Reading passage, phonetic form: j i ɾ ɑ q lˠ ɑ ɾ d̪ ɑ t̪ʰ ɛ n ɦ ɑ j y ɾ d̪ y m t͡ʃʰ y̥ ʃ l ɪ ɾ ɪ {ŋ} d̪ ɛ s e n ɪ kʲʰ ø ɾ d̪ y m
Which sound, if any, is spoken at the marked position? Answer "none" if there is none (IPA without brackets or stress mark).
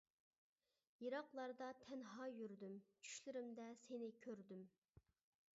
m